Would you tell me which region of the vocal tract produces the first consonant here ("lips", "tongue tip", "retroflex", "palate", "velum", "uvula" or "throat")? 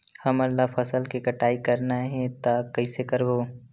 throat